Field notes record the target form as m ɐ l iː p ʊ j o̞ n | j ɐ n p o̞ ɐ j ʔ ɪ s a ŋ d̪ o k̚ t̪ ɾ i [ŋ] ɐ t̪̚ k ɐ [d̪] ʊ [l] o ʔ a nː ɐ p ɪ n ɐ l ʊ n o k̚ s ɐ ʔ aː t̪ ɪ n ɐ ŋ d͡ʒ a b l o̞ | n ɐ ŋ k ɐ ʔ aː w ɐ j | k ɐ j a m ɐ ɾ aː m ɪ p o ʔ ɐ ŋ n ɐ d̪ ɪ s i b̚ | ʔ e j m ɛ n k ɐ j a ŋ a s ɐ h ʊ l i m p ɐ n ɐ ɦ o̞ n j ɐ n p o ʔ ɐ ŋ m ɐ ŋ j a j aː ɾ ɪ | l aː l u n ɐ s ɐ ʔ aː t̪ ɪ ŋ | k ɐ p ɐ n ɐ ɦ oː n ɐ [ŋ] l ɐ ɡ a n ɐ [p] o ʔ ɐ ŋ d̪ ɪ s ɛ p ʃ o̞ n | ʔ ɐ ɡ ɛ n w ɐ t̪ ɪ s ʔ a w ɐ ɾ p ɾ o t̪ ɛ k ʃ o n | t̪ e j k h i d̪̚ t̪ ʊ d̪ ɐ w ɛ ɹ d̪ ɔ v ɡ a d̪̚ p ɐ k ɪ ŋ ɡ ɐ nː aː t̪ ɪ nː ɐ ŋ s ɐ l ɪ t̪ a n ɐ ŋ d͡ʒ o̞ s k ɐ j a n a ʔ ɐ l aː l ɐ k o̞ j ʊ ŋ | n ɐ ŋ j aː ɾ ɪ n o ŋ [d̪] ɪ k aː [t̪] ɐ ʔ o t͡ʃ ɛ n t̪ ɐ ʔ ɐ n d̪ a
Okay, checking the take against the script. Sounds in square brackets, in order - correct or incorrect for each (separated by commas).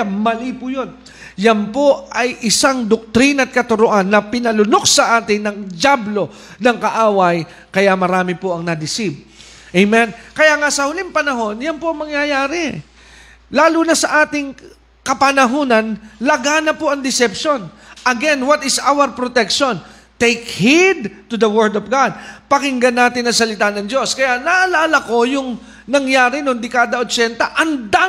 incorrect, incorrect, incorrect, incorrect, correct, correct, incorrect